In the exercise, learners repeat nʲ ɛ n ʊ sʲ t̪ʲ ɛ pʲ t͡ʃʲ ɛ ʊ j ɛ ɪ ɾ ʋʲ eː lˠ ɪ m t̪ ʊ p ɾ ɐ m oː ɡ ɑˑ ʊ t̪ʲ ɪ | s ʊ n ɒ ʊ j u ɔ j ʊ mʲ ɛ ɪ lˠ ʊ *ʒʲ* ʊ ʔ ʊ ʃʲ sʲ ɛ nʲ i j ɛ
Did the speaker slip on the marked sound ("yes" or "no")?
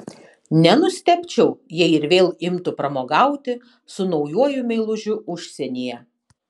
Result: no